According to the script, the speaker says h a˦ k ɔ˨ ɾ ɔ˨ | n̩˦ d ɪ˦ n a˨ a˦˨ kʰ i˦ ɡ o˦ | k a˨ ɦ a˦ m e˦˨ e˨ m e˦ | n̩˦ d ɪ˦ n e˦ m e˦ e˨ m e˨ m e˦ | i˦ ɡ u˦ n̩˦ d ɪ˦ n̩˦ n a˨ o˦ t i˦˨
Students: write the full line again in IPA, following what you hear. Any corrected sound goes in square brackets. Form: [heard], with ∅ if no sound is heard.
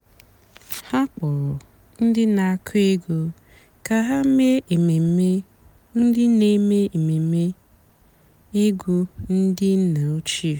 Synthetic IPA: h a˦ [k͡p] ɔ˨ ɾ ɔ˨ | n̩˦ d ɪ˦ n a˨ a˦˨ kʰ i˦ ɡ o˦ | k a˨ ɦ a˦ m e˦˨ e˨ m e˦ | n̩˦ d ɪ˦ n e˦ m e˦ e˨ m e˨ m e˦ | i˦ ɡ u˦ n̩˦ d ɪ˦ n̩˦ n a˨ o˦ [t͡ʃ] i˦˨